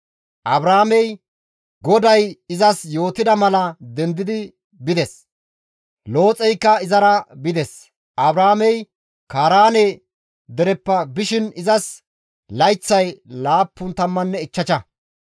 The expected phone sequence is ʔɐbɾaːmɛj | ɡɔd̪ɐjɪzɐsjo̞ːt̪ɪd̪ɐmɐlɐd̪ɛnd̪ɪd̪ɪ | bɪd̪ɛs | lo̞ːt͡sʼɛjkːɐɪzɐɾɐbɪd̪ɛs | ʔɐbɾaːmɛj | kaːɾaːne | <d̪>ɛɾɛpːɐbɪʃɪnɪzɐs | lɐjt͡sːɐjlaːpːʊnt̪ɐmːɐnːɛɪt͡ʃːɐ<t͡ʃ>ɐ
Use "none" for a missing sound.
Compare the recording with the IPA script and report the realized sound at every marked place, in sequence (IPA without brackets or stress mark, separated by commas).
d̪, t͡ʃ